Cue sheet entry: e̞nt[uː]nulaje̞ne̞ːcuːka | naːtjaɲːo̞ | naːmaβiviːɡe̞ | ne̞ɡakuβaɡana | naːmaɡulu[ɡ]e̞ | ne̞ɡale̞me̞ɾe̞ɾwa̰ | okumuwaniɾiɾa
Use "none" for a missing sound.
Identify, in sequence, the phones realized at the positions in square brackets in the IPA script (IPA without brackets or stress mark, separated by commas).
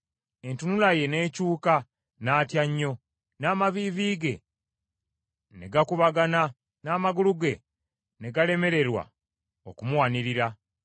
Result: u, ɡ